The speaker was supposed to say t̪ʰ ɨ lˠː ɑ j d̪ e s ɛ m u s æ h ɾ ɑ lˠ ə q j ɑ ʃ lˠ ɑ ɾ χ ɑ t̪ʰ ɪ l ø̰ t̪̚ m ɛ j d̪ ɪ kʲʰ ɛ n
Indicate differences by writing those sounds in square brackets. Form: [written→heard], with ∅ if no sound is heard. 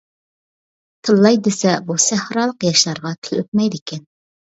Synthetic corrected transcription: t̪ʰ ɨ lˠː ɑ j d̪ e s ɛ [m→b] u s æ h ɾ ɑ lˠ ə q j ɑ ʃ lˠ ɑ ɾ [χ→ʁ] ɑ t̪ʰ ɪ l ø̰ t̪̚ m ɛ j d̪ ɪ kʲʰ ɛ n